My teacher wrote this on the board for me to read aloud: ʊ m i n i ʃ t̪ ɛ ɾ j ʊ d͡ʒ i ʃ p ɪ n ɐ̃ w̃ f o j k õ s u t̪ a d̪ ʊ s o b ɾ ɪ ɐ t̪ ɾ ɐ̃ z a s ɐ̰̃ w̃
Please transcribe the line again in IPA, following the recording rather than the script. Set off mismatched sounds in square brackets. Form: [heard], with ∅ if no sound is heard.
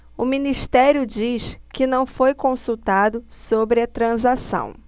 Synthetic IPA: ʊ m i n i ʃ t̪ ɛ ɾ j ʊ d͡ʒ i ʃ [k] ɪ n ɐ̃ w̃ f o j k õ s u t̪ a d̪ ʊ s o b ɾ ɪ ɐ t̪ ɾ ɐ̃ z a s ɐ̰̃ w̃

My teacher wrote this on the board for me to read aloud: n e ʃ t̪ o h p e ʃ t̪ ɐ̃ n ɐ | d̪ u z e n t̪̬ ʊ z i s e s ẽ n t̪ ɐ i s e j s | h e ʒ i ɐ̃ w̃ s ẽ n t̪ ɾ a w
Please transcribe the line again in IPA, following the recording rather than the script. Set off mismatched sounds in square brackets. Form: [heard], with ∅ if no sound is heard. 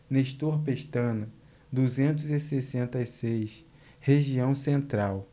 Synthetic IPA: n e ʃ t̪ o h p e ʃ t̪ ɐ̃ n ɐ | d̪ u z [ẽ] n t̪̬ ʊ z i s e s ẽ n t̪ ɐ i s e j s | h e ʒ i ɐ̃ w̃ s ẽ n t̪ ɾ a w

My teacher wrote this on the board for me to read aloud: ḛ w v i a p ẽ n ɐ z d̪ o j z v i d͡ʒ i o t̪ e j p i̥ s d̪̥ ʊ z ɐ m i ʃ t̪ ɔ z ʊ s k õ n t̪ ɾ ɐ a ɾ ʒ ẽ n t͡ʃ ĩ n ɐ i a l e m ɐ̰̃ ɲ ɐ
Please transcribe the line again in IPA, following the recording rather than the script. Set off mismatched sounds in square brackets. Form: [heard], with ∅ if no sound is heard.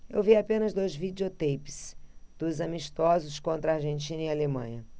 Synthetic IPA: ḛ w v i a p ẽ n ɐ z d̪ o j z v i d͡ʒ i o t̪ e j p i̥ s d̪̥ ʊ z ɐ m i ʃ t̪ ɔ z ʊ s k õ n t̪ ɾ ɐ a ɾ ʒ ẽ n t͡ʃ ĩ n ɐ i a l e m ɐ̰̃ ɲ ɐ

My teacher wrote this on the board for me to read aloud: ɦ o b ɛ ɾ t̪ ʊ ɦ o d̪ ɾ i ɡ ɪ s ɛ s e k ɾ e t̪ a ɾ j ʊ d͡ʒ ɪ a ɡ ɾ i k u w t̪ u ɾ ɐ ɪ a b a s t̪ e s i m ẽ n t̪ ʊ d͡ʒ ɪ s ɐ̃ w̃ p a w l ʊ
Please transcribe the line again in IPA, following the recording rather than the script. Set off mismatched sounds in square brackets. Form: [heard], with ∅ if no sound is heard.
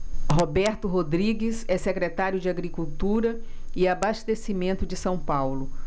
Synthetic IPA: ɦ o b ɛ ɾ t̪ ʊ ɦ o d̪ ɾ i ɡ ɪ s ɛ s e k ɾ e t̪ a ɾ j ʊ d͡ʒ ɪ a ɡ ɾ i k u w t̪ u ɾ ɐ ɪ a b a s t̪ e s i m ẽ n t̪ ʊ d͡ʒ ɪ s ɐ̃ w̃ p a w l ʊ

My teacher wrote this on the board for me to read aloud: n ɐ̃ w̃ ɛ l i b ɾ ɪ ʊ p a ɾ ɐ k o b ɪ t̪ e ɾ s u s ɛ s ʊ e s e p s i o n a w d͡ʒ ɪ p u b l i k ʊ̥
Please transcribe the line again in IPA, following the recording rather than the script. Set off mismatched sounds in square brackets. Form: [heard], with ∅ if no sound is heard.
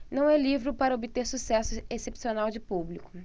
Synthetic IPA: n ɐ̃ w̃ ɛ l i [v] ɾ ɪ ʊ p a ɾ ɐ [∅] o b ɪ t̪ e ɾ s u s ɛ s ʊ e s e p s i o n a w d͡ʒ ɪ p u b l i k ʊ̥

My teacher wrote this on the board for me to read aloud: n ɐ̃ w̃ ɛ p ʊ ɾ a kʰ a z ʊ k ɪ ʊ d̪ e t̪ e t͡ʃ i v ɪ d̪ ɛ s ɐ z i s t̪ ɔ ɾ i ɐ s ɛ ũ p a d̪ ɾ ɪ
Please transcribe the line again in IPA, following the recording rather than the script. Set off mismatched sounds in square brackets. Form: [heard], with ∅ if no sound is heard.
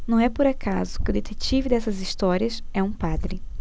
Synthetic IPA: n ɐ̃ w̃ ɛ p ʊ ɾ a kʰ a z ʊ k ɪ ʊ d̪ e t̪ e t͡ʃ i v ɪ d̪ ɛ s ɐ z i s t̪ ɔ ɾ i ɐ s ɛ ũ p a d̪ ɾ ɪ

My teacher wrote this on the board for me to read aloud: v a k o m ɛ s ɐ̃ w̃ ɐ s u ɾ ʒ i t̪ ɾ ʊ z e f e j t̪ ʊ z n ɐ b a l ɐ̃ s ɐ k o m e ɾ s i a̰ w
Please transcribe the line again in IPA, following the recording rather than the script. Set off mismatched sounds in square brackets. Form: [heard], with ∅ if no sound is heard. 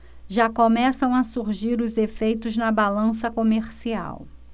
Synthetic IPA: [ʒ] a k o m ɛ s ɐ̃ w̃ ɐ s u ɾ ʒ i [∅] ɾ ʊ z e f e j t̪ ʊ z n ɐ b a l ɐ̃ s ɐ k o m e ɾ s i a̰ w

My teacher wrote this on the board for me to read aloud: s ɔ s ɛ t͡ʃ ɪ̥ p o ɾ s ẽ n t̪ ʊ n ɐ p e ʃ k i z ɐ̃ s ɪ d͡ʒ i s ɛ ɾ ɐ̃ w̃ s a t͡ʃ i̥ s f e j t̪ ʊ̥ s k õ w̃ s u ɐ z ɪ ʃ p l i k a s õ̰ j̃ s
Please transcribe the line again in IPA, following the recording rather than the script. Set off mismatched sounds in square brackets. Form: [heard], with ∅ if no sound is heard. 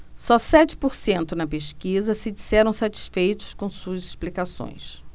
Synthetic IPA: s ɔ s ɛ t͡ʃ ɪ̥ p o ɾ s ẽ n t̪ ʊ n ɐ p e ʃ k i z [ɐ] s ɪ d͡ʒ i s ɛ ɾ ɐ̃ w̃ s a t͡ʃ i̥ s f e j t̪ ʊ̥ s k õ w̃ s u ɐ z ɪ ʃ p l i k a s õ̰ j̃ s

